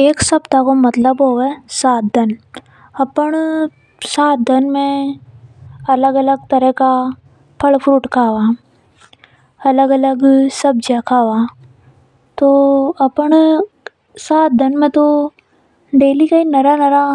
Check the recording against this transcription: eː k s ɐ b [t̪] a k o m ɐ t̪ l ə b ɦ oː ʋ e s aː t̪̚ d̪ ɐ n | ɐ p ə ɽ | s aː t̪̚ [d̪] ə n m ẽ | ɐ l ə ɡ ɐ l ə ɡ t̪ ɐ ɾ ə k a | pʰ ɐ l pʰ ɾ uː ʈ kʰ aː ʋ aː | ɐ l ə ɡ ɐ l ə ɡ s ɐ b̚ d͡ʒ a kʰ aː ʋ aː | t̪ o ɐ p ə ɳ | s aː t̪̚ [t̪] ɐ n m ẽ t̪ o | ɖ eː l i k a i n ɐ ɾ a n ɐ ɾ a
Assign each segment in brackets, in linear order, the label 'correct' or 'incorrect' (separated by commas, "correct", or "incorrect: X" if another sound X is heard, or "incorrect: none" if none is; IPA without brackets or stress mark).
correct, correct, incorrect: d̪